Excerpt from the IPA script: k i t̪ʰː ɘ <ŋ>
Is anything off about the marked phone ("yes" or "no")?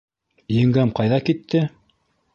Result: yes